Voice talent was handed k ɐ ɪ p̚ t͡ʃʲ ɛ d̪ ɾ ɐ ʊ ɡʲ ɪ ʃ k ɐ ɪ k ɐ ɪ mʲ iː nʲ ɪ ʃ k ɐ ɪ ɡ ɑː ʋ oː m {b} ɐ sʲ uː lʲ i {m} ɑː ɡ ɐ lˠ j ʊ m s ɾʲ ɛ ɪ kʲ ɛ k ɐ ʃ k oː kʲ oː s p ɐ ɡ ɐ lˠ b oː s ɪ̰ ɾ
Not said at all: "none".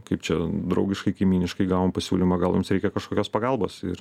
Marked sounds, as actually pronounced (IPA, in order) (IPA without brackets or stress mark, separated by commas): p, m